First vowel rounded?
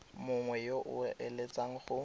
yes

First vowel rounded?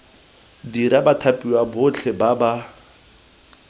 no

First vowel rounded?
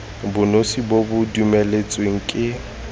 yes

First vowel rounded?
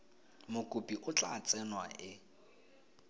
yes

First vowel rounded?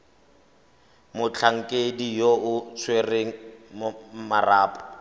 yes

